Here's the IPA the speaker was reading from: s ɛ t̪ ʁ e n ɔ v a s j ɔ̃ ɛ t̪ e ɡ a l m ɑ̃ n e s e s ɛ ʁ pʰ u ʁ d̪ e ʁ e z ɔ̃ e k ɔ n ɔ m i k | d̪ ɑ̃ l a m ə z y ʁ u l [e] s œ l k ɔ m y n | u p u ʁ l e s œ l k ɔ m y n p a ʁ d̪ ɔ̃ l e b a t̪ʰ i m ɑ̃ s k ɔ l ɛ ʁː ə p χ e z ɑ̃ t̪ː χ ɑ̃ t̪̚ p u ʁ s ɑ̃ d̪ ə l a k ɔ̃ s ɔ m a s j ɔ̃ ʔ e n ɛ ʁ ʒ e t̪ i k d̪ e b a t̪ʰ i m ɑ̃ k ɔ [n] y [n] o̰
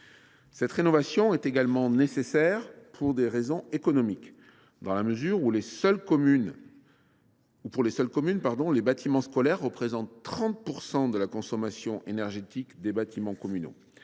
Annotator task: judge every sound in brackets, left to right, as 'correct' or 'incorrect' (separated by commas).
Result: correct, incorrect, correct